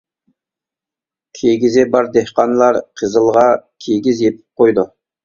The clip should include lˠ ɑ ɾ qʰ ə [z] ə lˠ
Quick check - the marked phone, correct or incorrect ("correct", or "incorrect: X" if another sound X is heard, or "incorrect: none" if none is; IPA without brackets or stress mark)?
correct